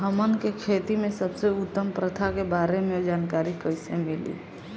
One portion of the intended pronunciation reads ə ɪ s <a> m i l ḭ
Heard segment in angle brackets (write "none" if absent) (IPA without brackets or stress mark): e